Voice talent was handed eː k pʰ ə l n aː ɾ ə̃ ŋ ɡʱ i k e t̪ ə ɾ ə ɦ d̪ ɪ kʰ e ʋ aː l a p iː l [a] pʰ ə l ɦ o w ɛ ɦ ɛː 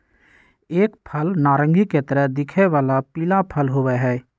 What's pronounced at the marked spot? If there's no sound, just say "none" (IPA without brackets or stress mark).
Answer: a